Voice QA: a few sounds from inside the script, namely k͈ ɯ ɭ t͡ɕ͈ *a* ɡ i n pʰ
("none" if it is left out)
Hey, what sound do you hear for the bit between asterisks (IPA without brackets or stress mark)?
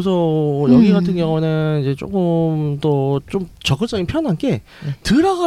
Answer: ʌ